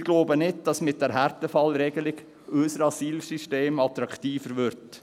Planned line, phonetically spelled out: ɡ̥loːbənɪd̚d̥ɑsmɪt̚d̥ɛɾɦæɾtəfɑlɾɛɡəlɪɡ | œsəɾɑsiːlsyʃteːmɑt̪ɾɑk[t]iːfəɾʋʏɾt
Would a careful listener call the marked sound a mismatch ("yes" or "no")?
no